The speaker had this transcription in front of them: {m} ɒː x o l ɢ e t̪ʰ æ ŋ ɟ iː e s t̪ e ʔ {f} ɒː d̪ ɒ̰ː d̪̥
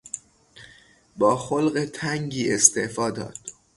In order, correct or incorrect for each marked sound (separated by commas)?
incorrect, correct